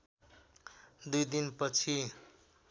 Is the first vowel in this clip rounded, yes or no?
yes